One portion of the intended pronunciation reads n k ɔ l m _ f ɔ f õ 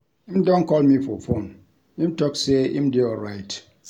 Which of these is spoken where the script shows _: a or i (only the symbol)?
i